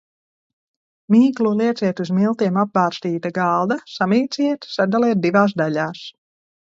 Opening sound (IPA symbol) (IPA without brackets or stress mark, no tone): m